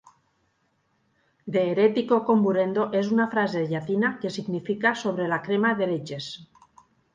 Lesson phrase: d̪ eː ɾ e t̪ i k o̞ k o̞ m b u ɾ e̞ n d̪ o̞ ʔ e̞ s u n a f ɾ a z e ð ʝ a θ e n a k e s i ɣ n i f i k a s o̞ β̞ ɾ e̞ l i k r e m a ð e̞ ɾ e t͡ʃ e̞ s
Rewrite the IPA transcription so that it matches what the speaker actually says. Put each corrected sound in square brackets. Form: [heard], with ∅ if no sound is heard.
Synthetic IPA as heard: d̪ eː ɾ e t̪ i k o̞ k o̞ m b u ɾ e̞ n d̪ o̞ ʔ e̞ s u n a f ɾ a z e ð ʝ a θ [i] n a k e s i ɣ n i f i k a s o̞ β̞ ɾ e̞ l [a] k [ɾ] e m a ð e̞ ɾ e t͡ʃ e̞ s